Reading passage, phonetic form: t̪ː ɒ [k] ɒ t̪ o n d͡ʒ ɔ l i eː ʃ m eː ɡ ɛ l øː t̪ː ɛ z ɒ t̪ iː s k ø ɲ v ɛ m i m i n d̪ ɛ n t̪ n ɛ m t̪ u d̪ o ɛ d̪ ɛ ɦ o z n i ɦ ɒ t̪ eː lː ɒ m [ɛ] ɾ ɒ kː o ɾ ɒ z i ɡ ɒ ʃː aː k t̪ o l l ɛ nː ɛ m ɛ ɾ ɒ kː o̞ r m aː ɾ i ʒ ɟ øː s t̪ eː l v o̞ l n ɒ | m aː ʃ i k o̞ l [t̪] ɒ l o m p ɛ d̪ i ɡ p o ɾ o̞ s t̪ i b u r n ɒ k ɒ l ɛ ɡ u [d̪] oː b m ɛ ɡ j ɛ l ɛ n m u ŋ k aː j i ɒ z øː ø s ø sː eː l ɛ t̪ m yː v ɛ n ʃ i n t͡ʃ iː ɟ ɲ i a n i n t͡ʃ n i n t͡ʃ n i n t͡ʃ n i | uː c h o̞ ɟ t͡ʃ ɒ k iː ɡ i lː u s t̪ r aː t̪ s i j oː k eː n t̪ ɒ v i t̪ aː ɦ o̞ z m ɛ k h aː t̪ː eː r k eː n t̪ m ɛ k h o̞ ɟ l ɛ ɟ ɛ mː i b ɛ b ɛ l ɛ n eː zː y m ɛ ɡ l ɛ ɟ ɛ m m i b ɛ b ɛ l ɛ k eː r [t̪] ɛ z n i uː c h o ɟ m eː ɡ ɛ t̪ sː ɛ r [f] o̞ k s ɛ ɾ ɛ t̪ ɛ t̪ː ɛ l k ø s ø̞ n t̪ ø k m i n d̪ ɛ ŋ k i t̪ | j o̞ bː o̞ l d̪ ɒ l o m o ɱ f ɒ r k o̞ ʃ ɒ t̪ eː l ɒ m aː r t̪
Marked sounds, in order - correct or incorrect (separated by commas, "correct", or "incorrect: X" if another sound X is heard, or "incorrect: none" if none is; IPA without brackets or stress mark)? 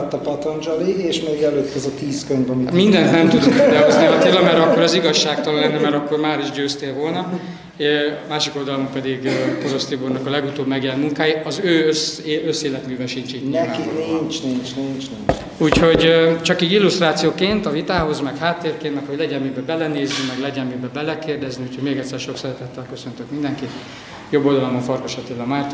incorrect: p, correct, incorrect: d̪, incorrect: t̪, incorrect: d̪, incorrect: ʃ